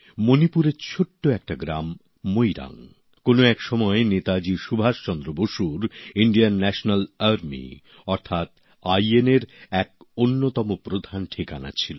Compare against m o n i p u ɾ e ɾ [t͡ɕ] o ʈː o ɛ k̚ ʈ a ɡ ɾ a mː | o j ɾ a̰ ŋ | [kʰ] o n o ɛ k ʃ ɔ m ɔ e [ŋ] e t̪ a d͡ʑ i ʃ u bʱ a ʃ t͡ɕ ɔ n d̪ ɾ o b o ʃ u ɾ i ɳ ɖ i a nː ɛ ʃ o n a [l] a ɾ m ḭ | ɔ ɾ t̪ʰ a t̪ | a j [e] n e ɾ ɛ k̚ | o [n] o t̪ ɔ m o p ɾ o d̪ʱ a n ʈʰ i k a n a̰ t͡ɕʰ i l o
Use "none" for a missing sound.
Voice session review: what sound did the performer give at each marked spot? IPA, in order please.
t͡ɕʰ, k, n, l, e, nː

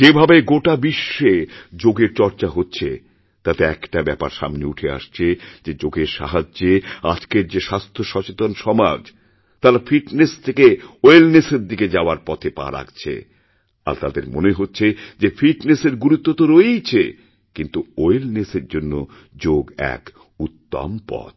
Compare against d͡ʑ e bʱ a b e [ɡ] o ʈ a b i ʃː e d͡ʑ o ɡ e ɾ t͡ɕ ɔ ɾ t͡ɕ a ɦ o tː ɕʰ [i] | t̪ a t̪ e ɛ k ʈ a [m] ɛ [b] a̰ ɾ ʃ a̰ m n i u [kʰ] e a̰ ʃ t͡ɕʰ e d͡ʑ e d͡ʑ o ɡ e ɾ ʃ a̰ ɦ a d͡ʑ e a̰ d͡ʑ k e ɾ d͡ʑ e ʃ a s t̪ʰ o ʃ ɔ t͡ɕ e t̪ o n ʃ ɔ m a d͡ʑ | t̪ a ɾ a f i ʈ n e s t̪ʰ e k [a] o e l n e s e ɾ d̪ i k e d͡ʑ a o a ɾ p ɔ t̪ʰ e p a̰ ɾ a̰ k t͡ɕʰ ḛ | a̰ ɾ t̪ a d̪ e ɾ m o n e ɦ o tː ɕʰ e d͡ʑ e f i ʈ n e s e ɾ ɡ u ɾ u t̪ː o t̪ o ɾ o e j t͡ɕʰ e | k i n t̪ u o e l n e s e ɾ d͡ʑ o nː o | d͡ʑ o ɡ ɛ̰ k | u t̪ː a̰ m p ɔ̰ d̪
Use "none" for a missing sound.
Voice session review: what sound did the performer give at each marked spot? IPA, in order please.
ɡ, e, b, p, ʈʰ, e

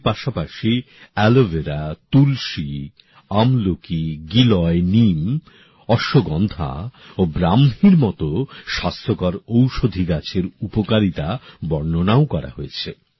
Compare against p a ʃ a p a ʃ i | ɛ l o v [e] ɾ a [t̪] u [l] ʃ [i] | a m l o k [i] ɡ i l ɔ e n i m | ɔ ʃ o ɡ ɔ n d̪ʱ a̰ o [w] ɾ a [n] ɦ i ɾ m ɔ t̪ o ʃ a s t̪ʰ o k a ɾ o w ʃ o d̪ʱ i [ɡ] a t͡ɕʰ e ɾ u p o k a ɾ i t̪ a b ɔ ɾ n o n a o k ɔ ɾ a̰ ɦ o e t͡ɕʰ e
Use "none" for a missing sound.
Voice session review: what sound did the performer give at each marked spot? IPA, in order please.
e, t̪, l, i, i, b, m, ɡ

